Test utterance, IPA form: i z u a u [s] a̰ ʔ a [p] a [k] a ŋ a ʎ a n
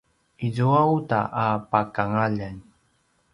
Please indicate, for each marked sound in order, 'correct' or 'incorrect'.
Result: incorrect, correct, correct

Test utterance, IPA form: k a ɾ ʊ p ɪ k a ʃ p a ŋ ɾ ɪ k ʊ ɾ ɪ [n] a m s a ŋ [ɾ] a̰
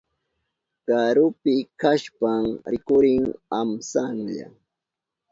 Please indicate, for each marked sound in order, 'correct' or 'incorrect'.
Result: incorrect, incorrect

